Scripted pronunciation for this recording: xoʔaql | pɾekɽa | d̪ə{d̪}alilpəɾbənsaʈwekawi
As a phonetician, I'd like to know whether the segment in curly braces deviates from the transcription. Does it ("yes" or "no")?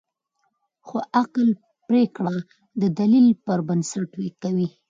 no